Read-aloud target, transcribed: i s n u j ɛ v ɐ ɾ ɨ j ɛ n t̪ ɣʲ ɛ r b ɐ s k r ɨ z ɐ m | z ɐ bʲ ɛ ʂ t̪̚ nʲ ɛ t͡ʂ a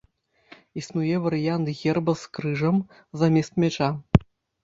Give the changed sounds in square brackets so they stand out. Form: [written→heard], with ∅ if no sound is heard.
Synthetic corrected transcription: i s n u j ɛ v ɐ ɾ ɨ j [ɛ→a] n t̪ ɣʲ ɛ r b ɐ s k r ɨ [z→ʐ] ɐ m | z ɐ [bʲ→mʲ] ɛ [ʂ→s] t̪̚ [nʲ→mʲ] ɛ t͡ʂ a